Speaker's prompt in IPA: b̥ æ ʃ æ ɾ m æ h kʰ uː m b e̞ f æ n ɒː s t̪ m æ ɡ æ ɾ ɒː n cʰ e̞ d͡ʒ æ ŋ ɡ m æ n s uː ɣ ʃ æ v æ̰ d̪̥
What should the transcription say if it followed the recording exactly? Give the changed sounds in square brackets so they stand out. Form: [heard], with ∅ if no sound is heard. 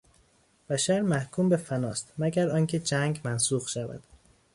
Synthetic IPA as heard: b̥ æ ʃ æ ɾ m æ h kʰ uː m b e̞ f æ n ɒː s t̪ m æ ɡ æ ɾ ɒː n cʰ e̞ d͡ʒ æ ŋ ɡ m æ n s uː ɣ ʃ æ v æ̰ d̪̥